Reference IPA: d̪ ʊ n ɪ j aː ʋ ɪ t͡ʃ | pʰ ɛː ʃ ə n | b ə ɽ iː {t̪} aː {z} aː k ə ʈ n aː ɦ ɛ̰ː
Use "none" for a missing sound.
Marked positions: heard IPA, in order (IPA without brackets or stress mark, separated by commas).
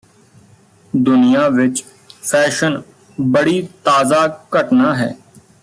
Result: t̪, z